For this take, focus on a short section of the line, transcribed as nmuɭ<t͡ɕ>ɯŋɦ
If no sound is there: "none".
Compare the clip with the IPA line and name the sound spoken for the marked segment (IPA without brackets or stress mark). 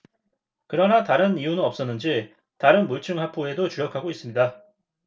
t͡ɕʰ